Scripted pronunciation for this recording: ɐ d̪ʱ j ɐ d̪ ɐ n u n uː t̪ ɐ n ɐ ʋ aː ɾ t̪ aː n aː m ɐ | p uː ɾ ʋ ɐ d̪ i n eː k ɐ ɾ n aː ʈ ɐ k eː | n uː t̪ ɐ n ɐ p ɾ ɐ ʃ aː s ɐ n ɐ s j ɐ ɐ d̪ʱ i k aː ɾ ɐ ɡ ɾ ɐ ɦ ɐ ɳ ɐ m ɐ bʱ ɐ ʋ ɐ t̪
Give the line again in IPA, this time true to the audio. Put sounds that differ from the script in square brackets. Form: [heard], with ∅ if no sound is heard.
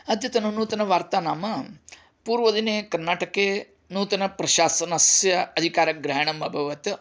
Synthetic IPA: ɐ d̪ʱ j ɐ [t̪] ɐ n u n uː t̪ ɐ n ɐ ʋ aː ɾ t̪ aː n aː m ɐ | p uː ɾ ʋ ɐ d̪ i n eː k ɐ ɾ n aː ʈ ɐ k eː | n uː t̪ ɐ n ɐ p ɾ ɐ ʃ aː s ɐ n ɐ s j ɐ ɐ d̪ʱ i k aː ɾ ɐ ɡ ɾ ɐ ɦ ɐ ɳ ɐ m ɐ bʱ ɐ ʋ ɐ t̪

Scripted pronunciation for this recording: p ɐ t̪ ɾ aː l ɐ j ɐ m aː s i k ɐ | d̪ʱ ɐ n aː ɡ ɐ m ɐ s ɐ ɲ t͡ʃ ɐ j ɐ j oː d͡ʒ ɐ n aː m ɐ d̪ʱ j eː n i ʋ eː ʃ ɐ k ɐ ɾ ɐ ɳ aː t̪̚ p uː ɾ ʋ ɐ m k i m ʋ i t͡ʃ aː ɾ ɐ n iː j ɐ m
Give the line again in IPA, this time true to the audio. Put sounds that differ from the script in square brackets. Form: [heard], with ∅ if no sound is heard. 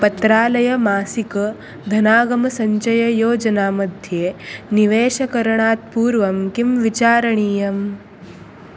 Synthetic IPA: p ɐ t̪ ɾ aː l ɐ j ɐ m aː s i k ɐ | d̪ʱ ɐ n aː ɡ ɐ m ɐ s ɐ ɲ t͡ʃ ɐ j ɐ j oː d͡ʒ ɐ n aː m ɐ d̪ʱ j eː n i ʋ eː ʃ ɐ k ɐ ɾ ɐ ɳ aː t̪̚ p uː ɾ ʋ ɐ m k i m ʋ i t͡ʃ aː ɾ ɐ [ɳ] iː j ɐ m

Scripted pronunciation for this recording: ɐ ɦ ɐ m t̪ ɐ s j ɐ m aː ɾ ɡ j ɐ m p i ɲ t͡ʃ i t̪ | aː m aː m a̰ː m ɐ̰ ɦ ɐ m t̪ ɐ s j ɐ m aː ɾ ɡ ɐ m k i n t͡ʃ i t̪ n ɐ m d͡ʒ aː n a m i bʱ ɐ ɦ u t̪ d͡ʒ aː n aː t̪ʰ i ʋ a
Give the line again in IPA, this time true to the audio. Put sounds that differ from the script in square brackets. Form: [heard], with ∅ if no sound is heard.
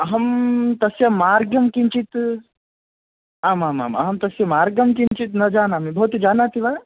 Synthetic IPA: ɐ ɦ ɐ m t̪ ɐ s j ɐ m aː ɾ ɡ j ɐ m [k] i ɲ t͡ʃ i t̪ | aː m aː m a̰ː m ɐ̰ ɦ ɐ m t̪ ɐ s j ɐ m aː ɾ ɡ ɐ m k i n t͡ʃ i t̪ n ɐ [∅] d͡ʒ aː n a m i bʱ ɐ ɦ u t̪ d͡ʒ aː n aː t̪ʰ i ʋ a

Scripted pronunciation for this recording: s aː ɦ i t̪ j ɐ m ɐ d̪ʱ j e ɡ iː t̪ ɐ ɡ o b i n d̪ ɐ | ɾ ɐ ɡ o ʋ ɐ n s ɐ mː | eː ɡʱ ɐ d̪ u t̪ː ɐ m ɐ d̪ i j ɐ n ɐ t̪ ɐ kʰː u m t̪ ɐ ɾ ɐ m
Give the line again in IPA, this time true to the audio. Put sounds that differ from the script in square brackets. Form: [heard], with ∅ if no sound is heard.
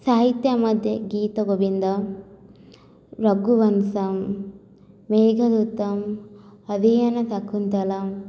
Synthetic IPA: s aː ɦ i t̪ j ɐ m ɐ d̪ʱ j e ɡ iː t̪ ɐ ɡ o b i n d̪ ɐ | ɾ ɐ ɡ [u] ʋ ɐ n s ɐ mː | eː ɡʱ ɐ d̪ u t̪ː ɐ m ɐ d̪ i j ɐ n ɐ t̪ ɐ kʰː u [n] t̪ ɐ [l] ɐ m

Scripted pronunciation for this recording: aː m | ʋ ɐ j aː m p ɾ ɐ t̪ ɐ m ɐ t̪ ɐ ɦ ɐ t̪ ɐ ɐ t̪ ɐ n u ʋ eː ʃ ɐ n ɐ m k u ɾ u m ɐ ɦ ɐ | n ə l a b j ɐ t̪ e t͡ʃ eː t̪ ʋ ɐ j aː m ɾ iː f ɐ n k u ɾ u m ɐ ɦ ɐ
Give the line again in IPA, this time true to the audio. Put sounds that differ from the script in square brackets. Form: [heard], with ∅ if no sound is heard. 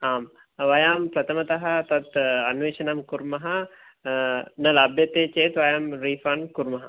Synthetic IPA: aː m | ʋ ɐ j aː m p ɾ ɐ t̪ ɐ m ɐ t̪ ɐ ɦ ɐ t̪ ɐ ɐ t̪ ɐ n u ʋ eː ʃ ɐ n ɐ m k u ɾ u m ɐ ɦ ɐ | n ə l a b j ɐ t̪ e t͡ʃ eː t̪ ʋ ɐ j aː m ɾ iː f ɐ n k u ɾ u m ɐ ɦ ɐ

